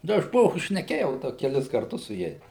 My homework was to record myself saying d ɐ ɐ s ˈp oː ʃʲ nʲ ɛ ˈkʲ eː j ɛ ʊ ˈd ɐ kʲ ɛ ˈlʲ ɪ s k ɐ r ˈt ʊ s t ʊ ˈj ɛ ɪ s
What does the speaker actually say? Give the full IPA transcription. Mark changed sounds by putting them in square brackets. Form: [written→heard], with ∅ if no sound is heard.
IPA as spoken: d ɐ ɐ [s→ʃ] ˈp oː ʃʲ nʲ ɛ ˈkʲ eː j ɛ ʊ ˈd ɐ kʲ ɛ ˈlʲ ɪ s k ɐ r ˈt ʊ s [t→s] ʊ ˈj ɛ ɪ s